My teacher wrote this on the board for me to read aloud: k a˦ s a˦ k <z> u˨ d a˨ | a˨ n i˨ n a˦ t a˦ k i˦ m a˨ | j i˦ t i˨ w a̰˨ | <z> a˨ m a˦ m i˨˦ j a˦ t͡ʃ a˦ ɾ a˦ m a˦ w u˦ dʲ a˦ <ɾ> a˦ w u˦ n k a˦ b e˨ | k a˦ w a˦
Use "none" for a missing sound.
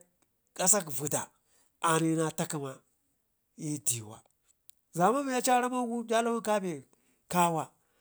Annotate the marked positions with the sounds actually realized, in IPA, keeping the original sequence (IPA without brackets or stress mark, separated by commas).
v, z, l